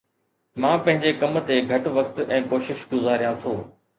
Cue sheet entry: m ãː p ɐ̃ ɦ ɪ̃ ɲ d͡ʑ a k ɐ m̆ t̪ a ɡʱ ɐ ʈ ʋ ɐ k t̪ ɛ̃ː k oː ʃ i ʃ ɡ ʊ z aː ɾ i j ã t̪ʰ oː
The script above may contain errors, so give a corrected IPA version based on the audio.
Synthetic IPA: m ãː p ɐ̃ ɦ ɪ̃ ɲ d͡ʑ e k ɐ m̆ t̪ e ɡʱ ɐ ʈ ʋ ɐ k t̪ ɛ̃ː k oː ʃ ɪ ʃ ɡ ʊ z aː ɾ i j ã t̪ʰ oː